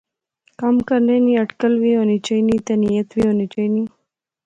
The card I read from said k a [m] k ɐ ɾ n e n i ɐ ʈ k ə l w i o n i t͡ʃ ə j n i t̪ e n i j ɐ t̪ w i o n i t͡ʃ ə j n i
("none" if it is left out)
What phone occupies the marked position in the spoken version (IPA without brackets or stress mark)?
m